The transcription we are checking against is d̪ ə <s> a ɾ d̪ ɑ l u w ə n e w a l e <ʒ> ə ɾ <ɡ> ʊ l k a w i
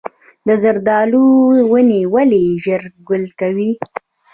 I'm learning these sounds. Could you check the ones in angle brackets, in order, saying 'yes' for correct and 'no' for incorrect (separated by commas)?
no, yes, yes